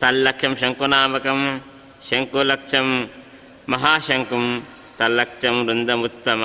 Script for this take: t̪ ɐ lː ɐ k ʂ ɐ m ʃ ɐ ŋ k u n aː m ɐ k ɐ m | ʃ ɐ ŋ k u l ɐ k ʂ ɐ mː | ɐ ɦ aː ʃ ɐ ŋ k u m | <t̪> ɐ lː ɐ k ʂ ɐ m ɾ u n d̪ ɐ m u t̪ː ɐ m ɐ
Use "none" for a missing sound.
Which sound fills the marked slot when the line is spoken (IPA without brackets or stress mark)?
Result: t̪